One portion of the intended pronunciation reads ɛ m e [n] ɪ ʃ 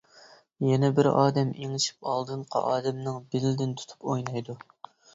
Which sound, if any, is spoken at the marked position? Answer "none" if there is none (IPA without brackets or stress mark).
ŋ